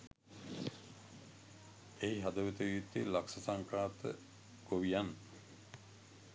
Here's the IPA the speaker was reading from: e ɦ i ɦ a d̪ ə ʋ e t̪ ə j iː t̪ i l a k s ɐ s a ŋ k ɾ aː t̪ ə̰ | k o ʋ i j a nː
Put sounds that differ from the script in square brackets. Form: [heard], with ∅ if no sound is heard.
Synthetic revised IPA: e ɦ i ɦ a d̪ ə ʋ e t̪ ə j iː t̪ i l a k s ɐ s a ŋ k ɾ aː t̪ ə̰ | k o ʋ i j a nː